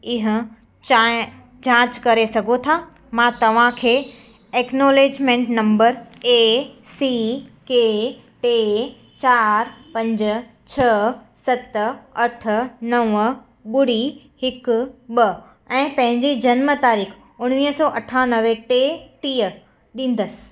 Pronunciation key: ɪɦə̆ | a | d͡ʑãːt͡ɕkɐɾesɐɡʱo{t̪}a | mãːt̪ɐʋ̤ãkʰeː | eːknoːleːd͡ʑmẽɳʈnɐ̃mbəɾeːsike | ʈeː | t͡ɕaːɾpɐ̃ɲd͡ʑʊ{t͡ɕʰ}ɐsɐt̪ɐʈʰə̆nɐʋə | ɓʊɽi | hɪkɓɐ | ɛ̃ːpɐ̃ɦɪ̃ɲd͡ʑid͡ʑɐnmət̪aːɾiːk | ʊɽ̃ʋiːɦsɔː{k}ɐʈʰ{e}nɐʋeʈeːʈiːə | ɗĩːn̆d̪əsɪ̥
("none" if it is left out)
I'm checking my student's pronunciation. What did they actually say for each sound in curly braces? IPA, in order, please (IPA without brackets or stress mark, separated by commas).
t̪ʰ, t͡ɕʰ, ʔ, a